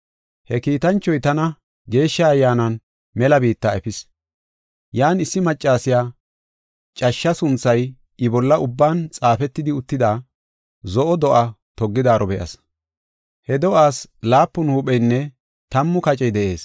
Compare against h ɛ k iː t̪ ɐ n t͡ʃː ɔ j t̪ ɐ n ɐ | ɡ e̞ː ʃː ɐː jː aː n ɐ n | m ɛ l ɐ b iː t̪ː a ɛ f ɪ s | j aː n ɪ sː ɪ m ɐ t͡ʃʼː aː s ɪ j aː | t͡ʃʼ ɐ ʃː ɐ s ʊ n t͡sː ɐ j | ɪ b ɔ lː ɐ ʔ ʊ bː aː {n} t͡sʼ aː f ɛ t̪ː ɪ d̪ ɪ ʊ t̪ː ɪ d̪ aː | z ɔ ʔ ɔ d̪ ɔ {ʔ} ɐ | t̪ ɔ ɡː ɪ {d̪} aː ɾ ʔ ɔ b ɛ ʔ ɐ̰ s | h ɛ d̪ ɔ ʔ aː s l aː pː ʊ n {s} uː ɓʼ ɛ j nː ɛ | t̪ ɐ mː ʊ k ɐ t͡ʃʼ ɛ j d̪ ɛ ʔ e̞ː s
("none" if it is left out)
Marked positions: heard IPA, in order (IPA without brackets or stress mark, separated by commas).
n, ʔ, d̪, h